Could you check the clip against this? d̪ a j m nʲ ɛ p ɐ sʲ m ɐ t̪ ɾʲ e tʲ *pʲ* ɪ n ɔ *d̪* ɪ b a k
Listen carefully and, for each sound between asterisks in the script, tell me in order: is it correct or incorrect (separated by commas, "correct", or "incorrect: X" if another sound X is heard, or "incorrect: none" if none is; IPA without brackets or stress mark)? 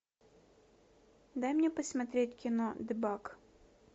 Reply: incorrect: kʲ, correct